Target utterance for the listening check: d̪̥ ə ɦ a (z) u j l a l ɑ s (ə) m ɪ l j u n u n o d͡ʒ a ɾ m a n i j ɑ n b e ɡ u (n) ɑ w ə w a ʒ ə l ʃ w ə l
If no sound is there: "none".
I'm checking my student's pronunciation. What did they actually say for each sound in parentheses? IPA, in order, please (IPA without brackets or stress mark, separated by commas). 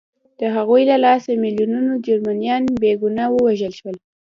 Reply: ɣ, a, n